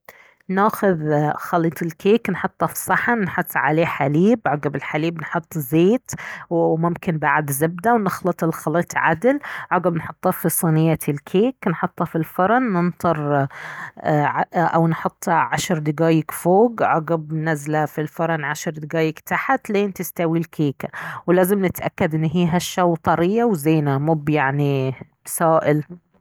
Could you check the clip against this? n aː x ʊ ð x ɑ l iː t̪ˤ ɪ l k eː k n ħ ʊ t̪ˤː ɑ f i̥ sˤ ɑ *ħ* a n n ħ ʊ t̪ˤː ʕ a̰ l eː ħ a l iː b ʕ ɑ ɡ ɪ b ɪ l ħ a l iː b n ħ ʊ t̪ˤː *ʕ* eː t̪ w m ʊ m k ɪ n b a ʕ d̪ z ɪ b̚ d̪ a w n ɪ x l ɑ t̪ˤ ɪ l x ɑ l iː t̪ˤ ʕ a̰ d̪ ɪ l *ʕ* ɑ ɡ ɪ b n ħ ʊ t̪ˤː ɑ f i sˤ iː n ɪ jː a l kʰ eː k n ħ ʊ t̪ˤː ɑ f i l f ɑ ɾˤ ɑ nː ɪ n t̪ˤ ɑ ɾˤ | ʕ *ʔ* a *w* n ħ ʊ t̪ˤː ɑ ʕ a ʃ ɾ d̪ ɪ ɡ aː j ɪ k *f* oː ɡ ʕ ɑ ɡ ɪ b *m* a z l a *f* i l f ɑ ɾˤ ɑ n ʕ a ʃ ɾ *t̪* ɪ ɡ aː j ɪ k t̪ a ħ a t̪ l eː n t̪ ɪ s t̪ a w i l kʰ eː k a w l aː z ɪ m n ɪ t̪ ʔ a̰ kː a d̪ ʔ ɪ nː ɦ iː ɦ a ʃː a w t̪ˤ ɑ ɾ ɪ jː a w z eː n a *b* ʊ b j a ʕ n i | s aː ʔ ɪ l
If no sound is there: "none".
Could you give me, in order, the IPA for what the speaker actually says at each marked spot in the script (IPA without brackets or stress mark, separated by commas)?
ħ, z, ʕ, ʔ, w, f, n, f, d̪, m